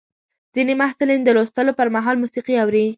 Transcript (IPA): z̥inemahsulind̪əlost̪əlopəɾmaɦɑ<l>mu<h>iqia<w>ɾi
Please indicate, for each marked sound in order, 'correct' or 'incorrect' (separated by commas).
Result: correct, incorrect, correct